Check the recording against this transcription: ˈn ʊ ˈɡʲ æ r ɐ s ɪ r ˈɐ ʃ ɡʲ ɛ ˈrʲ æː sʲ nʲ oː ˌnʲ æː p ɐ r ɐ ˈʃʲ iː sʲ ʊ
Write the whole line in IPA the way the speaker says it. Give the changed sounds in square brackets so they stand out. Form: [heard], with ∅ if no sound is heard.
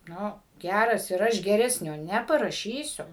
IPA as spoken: ˈn ʊ ˈɡʲ æ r ɐ s ɪ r ˈɐ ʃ ɡʲ ɛ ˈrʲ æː sʲ nʲ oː ˌnʲ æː p ɐ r ɐ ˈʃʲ iː sʲ ʊ